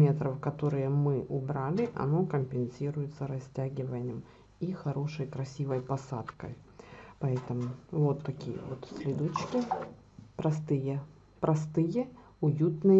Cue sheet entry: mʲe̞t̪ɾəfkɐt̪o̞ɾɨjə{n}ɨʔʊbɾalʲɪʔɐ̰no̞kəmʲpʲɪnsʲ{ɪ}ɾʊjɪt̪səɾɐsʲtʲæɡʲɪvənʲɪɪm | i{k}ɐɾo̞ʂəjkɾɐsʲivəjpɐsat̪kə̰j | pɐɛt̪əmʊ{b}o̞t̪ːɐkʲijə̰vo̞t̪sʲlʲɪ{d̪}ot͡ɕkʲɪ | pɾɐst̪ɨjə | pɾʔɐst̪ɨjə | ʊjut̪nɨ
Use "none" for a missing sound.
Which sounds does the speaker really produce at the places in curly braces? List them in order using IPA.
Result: m, i, x, v, d̪

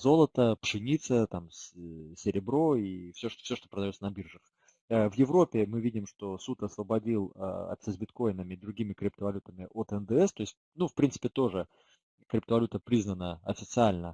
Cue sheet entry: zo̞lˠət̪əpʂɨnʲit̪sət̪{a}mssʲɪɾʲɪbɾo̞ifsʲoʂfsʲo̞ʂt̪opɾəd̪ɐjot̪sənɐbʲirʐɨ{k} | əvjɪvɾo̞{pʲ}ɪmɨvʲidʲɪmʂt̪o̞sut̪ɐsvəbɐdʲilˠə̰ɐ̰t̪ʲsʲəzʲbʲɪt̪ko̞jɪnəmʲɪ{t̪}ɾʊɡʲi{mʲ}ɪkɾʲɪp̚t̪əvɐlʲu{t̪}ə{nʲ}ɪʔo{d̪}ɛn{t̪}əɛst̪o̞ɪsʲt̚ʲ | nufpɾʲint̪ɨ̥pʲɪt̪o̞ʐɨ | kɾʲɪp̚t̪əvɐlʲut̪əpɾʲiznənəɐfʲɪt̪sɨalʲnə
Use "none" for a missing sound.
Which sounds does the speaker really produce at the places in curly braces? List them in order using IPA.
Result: a, x, pʲ, d̪, mʲ, t̪, mʲ, t̪, d̪

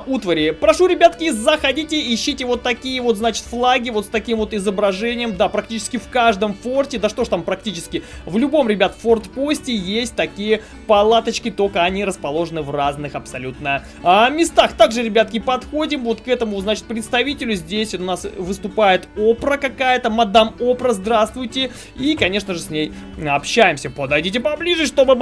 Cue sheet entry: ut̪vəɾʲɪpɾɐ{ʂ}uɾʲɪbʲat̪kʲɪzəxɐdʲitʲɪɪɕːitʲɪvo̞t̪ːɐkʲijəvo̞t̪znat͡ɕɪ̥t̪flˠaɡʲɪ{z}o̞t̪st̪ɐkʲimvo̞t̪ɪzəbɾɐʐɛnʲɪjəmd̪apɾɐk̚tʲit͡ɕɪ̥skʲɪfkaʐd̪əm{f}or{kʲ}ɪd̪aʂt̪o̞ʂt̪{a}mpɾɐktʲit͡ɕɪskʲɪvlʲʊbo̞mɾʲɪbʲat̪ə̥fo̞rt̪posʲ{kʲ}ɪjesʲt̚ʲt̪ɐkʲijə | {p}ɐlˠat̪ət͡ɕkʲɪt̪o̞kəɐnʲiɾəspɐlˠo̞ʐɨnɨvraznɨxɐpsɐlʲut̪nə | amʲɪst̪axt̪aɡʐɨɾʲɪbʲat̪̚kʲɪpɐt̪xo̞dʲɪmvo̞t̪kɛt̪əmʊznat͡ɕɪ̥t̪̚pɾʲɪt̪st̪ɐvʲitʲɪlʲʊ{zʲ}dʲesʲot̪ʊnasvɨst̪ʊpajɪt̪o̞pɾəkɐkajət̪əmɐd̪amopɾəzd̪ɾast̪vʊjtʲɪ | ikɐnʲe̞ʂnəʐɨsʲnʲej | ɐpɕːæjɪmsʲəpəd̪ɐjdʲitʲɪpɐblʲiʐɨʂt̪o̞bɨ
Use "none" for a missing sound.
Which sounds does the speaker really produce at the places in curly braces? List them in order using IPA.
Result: ʂ, v, f, tʲ, a, tʲ, p, zʲ

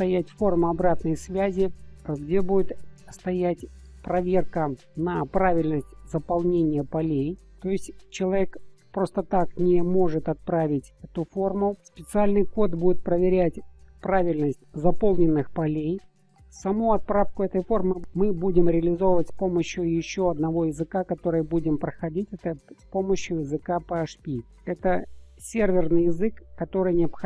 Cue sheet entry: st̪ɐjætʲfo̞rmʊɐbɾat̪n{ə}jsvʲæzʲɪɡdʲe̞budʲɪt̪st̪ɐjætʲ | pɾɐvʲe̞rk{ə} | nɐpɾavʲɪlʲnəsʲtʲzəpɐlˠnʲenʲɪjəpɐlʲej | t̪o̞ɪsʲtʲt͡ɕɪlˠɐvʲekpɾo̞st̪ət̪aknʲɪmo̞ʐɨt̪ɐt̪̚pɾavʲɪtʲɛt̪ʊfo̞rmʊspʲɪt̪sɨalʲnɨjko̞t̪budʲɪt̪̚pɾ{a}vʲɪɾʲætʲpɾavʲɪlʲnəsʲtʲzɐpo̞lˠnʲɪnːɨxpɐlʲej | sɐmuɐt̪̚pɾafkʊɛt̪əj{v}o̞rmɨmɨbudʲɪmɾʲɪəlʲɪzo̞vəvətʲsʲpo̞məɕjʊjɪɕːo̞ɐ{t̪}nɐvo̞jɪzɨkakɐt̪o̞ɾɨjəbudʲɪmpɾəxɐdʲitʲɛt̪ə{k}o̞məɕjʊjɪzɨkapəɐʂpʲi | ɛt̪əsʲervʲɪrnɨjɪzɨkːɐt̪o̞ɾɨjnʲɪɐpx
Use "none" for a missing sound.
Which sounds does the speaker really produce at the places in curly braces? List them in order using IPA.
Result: ə, ə, ə, f, d̪, p

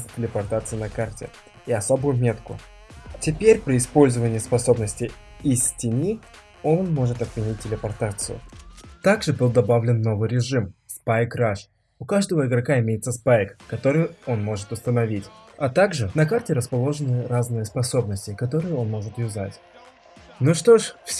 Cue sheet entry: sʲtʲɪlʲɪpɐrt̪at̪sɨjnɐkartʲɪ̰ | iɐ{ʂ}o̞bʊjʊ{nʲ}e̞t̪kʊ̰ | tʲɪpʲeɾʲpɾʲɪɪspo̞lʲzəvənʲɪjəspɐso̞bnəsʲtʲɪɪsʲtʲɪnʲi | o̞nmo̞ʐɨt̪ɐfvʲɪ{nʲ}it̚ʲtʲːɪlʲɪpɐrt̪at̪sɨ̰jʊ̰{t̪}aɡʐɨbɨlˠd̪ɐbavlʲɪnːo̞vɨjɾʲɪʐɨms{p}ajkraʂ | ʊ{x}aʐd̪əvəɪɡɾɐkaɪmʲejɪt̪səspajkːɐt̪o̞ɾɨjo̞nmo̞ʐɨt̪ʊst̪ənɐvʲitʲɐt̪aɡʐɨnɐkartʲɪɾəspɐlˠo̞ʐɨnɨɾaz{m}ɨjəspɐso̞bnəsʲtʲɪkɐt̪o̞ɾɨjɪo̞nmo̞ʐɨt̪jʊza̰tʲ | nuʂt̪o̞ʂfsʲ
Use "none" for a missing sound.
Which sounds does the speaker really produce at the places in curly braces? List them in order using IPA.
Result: s, mʲ, nʲ, t̪, p, k, n

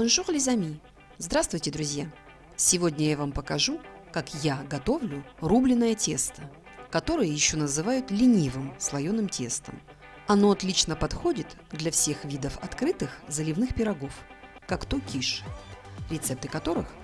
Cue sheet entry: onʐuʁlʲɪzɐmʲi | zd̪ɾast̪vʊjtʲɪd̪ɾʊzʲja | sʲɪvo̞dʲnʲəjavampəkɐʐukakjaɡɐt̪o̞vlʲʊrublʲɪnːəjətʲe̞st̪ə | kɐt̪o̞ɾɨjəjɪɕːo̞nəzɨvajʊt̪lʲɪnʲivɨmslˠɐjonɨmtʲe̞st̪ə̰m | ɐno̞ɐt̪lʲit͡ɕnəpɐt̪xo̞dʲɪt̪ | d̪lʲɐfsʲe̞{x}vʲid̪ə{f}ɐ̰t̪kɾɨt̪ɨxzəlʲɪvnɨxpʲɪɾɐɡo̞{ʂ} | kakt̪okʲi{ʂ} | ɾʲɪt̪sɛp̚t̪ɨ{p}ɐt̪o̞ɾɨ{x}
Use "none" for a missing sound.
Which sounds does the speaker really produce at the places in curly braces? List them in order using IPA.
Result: x, f, f, ʂ, k, x

